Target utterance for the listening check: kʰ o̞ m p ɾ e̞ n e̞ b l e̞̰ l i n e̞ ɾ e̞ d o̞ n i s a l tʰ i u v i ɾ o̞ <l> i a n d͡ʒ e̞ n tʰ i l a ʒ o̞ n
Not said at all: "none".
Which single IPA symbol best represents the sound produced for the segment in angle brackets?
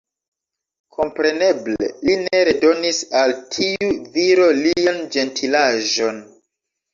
l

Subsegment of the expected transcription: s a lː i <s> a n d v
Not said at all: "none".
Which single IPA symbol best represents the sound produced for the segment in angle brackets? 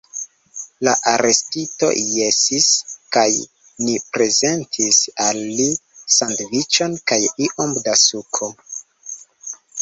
s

